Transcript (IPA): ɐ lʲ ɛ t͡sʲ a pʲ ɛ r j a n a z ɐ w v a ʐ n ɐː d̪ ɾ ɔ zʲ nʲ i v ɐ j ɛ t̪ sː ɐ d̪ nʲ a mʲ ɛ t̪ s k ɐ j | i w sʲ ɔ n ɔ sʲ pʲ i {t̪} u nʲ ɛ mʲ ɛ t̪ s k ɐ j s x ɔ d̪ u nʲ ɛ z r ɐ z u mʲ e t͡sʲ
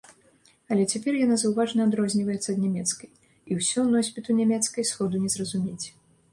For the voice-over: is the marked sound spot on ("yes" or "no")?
yes